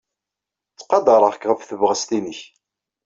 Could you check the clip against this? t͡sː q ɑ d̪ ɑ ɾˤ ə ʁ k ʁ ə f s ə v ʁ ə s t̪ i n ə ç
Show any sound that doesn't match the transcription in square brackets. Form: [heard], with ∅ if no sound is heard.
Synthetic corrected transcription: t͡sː q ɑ d̪ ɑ ɾˤ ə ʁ k ʁ ə f [θ] ə v ʁ ə s t̪ i n ə ç